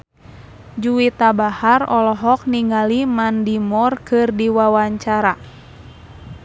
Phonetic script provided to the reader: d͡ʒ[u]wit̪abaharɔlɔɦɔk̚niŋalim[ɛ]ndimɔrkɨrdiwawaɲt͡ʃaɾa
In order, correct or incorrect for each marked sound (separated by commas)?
correct, incorrect